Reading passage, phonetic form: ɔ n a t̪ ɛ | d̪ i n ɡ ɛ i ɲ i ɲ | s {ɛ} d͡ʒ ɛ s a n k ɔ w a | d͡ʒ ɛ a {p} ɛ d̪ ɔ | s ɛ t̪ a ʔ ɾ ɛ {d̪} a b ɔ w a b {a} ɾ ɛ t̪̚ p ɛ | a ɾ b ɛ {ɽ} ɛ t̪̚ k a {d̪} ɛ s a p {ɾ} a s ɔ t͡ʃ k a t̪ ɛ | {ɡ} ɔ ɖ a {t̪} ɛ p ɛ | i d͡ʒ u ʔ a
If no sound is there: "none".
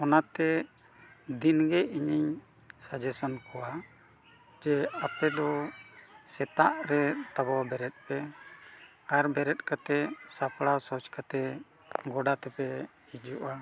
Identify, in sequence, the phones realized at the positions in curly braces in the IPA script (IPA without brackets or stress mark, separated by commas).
a, p, t̪, ɛ, ɾ, t̪, ɽ, ɡ, t̪